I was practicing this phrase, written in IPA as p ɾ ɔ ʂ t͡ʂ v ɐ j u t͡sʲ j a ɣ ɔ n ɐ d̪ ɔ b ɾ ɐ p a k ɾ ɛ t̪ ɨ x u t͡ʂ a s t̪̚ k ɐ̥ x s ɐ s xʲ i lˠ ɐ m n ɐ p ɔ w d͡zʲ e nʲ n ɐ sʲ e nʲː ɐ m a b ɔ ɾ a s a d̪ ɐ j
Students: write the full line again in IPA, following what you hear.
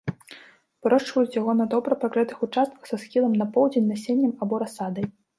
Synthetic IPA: p ɾ ɔ ʂ t͡ʂ v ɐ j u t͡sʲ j a ɣ ɔ n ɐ d̪ ɔ b ɾ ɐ p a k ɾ ɛ t̪ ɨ x u t͡ʂ a s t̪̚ k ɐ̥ x s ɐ s xʲ i lˠ ɐ m n ɐ p ɔ w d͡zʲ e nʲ n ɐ sʲ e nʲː ɐ m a b ɔ ɾ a s a d̪ ɐ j